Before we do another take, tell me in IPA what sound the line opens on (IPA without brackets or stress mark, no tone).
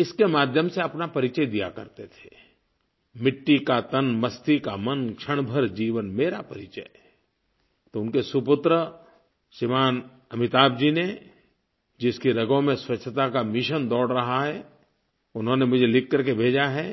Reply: ɪ